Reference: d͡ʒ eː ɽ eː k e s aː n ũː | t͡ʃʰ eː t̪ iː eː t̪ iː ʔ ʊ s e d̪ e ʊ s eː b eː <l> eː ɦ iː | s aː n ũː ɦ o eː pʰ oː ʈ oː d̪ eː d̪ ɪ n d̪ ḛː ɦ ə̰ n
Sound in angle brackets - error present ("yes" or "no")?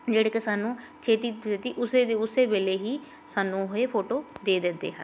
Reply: no